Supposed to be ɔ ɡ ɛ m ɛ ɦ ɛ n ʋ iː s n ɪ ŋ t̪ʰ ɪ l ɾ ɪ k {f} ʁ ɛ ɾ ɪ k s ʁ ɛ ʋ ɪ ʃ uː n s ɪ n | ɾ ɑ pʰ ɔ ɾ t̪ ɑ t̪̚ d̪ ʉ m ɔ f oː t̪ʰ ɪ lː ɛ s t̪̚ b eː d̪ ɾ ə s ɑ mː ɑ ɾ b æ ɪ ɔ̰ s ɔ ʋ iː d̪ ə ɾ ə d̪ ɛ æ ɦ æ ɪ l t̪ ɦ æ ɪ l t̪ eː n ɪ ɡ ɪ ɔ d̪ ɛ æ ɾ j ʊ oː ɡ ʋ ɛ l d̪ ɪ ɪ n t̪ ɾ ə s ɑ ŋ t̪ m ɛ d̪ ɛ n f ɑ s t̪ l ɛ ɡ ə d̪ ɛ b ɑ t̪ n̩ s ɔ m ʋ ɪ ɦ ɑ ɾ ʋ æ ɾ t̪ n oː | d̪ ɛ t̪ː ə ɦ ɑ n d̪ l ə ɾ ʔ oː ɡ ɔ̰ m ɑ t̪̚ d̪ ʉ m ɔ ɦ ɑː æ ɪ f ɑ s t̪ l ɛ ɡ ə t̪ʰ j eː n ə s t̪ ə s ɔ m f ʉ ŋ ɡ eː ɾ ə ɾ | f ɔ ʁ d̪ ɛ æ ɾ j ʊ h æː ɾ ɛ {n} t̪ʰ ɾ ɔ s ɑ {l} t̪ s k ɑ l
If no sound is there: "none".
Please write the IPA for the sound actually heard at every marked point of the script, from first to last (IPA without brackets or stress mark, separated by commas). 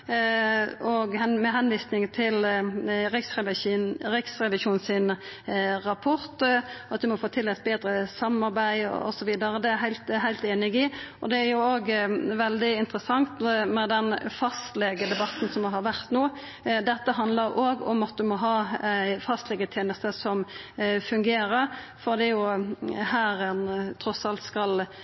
s, n, l